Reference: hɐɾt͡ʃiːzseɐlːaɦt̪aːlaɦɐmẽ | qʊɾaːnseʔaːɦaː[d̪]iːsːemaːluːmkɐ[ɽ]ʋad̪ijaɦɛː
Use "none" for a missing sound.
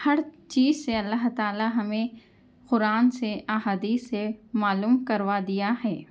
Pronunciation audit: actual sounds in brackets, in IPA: d̪, ɾ

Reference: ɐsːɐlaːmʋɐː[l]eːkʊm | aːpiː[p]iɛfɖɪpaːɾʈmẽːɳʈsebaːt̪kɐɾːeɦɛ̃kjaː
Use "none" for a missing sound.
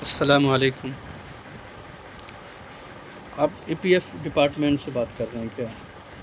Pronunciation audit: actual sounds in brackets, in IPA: l, p

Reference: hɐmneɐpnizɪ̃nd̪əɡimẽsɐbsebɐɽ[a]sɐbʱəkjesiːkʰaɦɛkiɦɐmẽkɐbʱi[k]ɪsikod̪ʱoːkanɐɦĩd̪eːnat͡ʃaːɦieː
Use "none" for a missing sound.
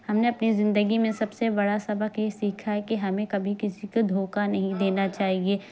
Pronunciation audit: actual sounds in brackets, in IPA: a, k

